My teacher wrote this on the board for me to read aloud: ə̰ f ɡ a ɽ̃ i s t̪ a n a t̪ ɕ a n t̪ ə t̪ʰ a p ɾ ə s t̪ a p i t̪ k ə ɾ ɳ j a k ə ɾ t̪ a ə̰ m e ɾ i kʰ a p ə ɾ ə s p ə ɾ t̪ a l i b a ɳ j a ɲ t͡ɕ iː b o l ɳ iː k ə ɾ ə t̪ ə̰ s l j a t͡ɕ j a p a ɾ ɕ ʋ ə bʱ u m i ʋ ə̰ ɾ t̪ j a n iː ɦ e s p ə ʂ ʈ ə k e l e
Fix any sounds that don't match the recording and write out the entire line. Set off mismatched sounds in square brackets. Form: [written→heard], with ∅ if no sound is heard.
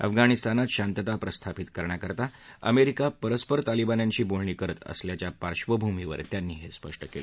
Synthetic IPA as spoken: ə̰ f ɡ a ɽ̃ i s t̪ a n a t̪ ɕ a n t̪ ə [t̪ʰ→t̪] a p ɾ ə s [t̪→t̪ʰ] a p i t̪ k ə ɾ ɳ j a k ə ɾ t̪ a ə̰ m e ɾ i [kʰ→k] a p ə ɾ ə s p ə ɾ t̪ a l i b a [ɳ→n] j a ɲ t͡ɕ iː b o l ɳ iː k ə ɾ ə t̪ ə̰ s l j a t͡ɕ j a p a ɾ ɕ ʋ ə bʱ u m i ʋ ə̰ ɾ t̪ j a [n→nː] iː ɦ e s p ə ʂ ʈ ə k e l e